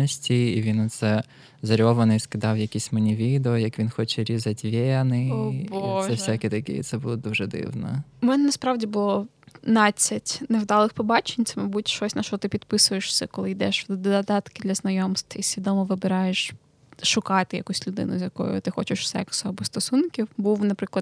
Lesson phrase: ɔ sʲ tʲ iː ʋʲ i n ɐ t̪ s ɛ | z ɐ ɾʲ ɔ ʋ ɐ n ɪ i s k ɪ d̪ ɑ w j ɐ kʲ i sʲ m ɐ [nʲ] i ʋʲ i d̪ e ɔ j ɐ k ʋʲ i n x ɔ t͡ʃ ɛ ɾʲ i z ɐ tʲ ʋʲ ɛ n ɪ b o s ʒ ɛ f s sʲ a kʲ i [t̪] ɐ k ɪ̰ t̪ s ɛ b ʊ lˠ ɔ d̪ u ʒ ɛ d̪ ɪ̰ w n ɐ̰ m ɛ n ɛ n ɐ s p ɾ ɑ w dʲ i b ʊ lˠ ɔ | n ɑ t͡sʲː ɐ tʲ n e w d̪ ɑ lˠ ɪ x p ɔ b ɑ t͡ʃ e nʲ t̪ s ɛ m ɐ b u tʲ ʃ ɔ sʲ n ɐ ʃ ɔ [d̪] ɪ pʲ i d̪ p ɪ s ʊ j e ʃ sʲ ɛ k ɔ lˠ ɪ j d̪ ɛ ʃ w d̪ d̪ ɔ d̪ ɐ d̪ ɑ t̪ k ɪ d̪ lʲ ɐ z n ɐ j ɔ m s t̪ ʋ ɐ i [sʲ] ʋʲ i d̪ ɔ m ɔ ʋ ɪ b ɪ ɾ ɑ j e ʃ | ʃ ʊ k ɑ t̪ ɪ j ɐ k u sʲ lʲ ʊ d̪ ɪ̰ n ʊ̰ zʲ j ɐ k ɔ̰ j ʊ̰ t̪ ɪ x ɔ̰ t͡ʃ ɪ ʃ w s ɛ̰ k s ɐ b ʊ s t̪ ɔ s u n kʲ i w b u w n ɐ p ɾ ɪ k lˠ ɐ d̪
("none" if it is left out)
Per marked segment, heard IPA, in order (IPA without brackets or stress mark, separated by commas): nʲ, t̪, t̪, sʲ